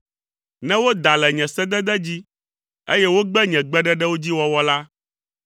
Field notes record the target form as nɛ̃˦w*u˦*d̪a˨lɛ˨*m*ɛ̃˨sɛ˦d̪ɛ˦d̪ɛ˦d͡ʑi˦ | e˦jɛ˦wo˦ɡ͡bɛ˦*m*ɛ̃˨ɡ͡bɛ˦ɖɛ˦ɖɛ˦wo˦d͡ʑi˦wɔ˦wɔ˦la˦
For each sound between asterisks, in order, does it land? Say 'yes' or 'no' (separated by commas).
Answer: no, no, no